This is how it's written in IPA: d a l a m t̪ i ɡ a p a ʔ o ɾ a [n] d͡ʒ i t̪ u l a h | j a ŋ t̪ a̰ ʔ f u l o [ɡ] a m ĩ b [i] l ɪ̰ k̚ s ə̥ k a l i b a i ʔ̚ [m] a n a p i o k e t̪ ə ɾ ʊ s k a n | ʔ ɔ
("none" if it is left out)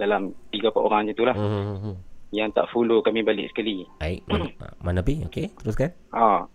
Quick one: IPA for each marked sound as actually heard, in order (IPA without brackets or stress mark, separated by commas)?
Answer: ŋ, k, a, m